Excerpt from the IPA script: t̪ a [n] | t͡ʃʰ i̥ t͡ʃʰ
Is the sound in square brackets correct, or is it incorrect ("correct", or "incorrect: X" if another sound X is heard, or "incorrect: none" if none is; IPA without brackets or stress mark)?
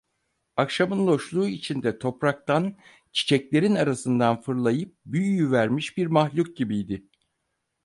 correct